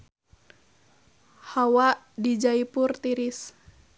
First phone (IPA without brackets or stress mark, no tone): h